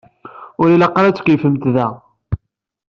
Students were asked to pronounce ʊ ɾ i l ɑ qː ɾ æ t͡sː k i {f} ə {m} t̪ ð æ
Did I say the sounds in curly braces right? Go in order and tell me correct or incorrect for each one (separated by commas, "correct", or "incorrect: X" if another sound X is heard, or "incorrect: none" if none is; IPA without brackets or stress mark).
correct, correct